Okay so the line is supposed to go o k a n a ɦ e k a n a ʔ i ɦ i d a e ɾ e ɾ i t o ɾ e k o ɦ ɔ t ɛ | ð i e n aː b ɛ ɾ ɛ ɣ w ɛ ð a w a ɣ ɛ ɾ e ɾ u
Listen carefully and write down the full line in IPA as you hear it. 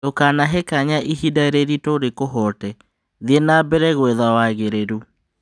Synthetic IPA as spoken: o k a n a ɦ e k a ɲ a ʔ i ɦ i d a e ɾ e ɾ i t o ɾ e k o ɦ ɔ t ɛ | ð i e n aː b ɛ ɾ ɛ ɣ w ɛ ð a w a ɣ e ɾ e ɾ u